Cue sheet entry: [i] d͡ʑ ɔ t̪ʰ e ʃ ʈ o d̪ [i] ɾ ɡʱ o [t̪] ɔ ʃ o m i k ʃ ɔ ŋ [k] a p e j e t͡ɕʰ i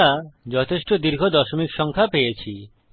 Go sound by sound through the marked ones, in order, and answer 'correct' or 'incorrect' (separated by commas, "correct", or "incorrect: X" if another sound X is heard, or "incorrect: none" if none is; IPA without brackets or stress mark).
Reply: incorrect: a, correct, incorrect: d̪, incorrect: kʰ